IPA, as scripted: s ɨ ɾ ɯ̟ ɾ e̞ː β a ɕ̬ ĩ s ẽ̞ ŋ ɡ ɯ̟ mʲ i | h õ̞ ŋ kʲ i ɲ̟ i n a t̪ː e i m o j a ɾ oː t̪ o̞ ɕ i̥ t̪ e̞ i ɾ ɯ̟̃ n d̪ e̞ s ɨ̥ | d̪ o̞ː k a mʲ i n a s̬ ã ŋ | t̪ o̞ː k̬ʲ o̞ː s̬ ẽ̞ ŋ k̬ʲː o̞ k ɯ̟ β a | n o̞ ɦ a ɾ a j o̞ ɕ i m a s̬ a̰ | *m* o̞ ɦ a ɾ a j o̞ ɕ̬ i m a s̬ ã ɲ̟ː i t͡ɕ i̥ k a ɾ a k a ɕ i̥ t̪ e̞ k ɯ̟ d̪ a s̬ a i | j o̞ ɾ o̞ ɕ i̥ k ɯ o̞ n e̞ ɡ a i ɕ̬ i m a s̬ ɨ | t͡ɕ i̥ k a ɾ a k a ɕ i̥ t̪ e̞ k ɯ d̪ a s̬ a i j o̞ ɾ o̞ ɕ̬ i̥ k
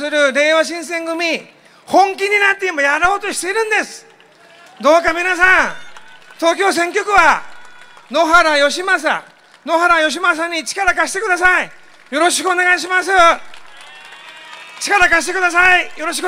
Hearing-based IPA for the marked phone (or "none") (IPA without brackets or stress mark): n